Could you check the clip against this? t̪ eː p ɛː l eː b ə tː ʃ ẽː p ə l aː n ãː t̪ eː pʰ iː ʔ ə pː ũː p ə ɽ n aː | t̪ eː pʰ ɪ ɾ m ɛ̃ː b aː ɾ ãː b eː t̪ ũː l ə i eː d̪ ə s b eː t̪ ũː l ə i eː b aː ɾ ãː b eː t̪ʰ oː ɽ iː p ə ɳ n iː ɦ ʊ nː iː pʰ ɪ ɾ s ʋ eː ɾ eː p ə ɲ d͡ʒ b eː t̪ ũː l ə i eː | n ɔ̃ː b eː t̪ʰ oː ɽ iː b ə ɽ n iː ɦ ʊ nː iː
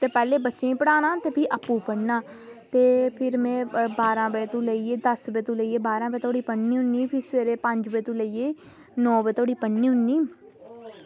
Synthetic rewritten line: t̪ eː p ɛː l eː b ə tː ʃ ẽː p ə ɽ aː n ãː t̪ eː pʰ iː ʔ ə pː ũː p ə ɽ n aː | t̪ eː pʰ ɪ ɾ m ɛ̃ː b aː ɾ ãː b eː t̪ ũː l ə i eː d̪ ə s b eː t̪ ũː l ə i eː b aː ɾ ãː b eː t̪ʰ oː ɽ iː p ə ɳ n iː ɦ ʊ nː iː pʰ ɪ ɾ s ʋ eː ɾ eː p ə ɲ d͡ʒ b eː t̪ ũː l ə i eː | n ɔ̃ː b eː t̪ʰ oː ɽ iː p ə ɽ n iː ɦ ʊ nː iː

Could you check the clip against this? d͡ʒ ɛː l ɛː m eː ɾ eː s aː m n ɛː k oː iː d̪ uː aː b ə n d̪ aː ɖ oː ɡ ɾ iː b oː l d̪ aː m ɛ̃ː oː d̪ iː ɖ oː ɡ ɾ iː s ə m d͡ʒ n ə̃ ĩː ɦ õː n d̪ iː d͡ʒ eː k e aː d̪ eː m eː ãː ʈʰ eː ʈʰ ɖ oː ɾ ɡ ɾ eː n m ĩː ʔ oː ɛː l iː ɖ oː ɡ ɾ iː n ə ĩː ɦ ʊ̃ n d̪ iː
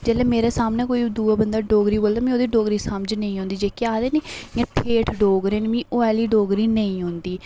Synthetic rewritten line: d͡ʒ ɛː l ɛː m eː ɾ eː s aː m n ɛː k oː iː d̪ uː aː b ə n d̪ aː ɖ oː ɡ ɾ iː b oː l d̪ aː m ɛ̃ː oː d̪ iː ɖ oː ɡ ɾ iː s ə m d͡ʒ n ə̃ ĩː ɦ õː n d̪ iː d͡ʒ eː k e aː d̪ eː n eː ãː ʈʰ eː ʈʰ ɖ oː ɡ ɾ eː n m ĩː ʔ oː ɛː l iː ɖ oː ɡ ɾ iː n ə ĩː ɦ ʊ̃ n d̪ iː

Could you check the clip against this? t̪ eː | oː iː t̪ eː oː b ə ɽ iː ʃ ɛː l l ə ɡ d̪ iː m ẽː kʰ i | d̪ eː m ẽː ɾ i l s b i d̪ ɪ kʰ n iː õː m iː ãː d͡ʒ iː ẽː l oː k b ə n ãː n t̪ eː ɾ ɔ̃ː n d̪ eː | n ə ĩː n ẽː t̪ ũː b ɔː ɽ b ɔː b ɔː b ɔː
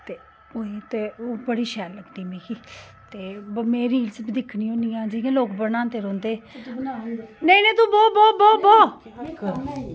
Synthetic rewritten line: t̪ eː | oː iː t̪ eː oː b ə ɽ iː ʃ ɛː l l ə ɡ d̪ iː m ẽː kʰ i | t̪ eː m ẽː ɾ iː l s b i d̪ ɪ kʰ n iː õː n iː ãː d͡ʒ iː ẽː l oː k b ə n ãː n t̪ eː ɾ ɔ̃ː n d̪ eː | n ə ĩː n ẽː t̪ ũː b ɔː b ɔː b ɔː b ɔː

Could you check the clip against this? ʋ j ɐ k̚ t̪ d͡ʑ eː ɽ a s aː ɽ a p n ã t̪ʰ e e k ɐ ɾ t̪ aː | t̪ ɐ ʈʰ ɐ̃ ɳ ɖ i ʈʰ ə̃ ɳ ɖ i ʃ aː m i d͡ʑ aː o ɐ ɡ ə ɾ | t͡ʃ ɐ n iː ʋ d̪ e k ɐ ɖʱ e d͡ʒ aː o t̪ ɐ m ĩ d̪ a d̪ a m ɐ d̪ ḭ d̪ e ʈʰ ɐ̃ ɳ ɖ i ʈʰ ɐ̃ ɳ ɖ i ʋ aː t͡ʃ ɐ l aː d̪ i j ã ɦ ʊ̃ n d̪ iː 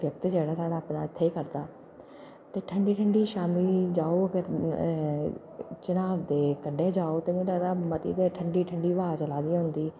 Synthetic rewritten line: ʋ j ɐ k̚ t̪ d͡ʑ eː ɽ a s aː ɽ a p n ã t̪ʰ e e k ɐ ɾ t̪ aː | t̪ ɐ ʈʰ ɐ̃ ɳ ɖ i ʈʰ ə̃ ɳ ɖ i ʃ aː m i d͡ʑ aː o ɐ ɡ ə ɾ | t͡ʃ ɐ n aː ʋ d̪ e k ɐ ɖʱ e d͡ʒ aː o t̪ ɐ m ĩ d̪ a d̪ a m ɐ t̪ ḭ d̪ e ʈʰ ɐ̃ ɳ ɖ i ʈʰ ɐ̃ ɳ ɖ i ʋ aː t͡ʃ ɐ l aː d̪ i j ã ɦ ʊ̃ n d̪ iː

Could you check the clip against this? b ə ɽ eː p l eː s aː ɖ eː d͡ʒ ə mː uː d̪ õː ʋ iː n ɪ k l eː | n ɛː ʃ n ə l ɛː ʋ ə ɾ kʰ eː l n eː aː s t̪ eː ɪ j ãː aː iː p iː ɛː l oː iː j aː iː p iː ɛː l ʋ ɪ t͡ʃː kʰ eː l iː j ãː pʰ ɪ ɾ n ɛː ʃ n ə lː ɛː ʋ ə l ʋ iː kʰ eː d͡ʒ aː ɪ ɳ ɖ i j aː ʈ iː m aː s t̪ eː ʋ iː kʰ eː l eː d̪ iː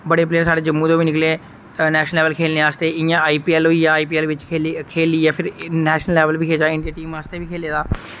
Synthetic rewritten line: b ə ɽ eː p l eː s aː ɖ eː d͡ʒ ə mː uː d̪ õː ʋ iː n ɪ k l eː | n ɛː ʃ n ə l ɛː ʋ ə l kʰ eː l n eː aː s t̪ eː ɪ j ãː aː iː p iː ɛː l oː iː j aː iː p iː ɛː l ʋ ɪ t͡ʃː kʰ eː l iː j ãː pʰ ɪ ɾ n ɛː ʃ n ə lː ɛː ʋ ə l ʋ iː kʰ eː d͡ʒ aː ɪ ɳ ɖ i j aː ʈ iː m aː s t̪ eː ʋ iː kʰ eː l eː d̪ aː

